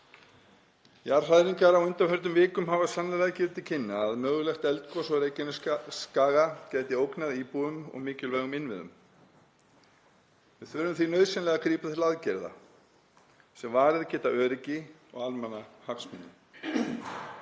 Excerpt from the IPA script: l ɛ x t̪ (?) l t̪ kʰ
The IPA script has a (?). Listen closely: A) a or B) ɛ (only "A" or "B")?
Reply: B